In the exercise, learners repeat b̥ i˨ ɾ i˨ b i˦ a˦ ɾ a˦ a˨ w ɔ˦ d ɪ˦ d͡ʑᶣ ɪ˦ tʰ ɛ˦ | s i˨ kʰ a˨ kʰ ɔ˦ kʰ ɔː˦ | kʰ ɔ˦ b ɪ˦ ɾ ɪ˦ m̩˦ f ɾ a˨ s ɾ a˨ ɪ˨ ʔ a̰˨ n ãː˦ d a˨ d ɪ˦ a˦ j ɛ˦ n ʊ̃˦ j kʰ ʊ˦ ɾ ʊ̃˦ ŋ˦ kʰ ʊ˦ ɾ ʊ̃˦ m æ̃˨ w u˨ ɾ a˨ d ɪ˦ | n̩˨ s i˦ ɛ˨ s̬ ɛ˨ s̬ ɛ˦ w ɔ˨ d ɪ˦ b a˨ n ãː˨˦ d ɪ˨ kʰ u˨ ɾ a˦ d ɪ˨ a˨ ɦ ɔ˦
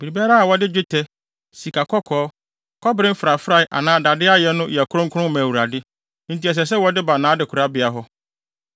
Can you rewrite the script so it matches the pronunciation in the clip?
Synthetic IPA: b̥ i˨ ɾ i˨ b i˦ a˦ ɾ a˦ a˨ w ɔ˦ d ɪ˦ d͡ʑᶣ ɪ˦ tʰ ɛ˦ | s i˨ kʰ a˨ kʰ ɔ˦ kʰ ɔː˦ | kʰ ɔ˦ b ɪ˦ ɾ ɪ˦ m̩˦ f ɾ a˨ f ɾ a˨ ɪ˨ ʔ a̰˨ n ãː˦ d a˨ d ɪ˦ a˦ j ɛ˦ n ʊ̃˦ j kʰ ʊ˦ ɾ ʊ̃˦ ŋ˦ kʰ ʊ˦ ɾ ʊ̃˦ m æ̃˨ w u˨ ɾ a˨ d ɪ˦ | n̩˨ t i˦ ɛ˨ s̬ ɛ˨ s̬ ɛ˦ w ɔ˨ d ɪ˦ b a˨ n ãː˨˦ d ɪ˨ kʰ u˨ ɾ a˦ b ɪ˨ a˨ ɦ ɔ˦